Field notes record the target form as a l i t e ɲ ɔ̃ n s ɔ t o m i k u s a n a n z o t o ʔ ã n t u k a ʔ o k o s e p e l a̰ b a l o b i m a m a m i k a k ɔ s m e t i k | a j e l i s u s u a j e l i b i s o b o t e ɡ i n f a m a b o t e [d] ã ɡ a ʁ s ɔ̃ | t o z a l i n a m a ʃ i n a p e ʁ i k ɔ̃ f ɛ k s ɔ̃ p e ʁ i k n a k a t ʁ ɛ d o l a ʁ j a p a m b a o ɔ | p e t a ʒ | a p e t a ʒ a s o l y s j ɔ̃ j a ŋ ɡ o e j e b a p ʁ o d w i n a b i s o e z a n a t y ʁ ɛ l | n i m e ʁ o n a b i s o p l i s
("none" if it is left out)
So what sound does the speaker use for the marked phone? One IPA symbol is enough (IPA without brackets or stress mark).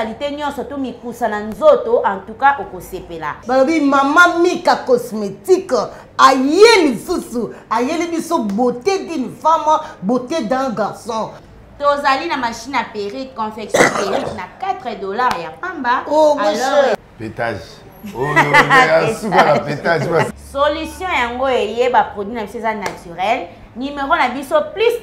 d